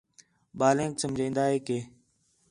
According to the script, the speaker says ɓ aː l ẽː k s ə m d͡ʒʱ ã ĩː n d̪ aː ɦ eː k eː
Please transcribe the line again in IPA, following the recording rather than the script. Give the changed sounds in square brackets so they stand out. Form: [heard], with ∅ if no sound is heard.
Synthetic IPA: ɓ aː l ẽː k s ə m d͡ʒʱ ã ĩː n d̪ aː ɦ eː k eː